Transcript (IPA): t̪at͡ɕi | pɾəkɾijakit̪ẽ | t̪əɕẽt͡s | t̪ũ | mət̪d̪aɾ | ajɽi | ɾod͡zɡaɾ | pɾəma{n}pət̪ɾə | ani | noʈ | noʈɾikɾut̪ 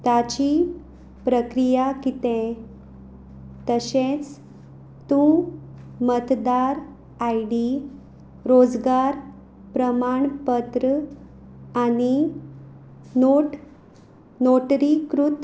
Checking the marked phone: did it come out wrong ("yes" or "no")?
yes